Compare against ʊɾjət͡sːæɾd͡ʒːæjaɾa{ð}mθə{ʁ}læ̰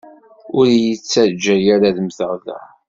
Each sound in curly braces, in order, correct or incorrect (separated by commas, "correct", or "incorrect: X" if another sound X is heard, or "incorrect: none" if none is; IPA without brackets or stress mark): correct, correct